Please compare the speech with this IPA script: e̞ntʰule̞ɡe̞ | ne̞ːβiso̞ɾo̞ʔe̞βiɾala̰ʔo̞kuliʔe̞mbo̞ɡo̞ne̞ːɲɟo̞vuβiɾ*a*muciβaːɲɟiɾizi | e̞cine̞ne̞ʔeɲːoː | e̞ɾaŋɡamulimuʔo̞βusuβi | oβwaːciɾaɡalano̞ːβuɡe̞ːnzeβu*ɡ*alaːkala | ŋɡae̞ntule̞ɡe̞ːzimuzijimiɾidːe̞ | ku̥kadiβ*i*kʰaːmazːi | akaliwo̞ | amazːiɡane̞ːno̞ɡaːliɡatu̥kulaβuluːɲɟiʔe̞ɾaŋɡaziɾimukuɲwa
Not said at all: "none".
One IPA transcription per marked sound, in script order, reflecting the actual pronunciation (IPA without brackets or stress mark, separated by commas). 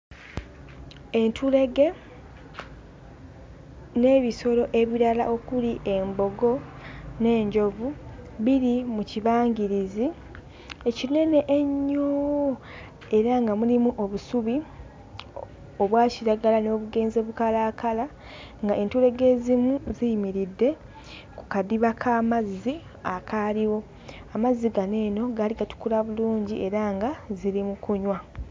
i, k, a